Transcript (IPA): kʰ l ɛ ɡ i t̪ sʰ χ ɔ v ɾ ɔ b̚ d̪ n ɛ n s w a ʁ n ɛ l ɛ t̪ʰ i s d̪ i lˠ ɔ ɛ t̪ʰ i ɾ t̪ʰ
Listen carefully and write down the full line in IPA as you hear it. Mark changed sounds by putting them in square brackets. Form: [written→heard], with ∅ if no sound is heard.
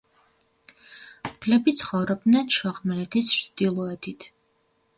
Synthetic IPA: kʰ l ɛ [ɡ→b] i t̪ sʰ χ ɔ v ɾ ɔ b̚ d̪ n ɛ n [s→ʃ] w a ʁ [n→m] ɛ l ɛ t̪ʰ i s d̪ i lˠ ɔ ɛ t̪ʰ i [ɾ→∅] t̪ʰ